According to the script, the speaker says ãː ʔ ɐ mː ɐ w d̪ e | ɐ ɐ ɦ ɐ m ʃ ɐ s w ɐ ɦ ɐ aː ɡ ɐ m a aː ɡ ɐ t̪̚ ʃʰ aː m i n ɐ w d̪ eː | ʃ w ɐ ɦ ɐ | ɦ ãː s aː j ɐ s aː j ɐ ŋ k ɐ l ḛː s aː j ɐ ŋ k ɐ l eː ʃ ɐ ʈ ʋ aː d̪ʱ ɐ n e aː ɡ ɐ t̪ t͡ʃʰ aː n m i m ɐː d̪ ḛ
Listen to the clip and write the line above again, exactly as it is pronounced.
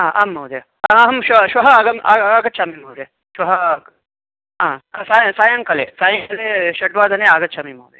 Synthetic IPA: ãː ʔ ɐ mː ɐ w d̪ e | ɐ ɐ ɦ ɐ m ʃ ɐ ʃ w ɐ ɦ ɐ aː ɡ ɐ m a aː ɡ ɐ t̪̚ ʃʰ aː m i m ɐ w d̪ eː | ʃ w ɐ ɦ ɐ | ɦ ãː s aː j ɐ s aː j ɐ ŋ k ɐ l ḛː s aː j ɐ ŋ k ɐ l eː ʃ ɐ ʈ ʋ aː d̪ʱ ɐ n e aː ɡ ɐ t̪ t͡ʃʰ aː m i m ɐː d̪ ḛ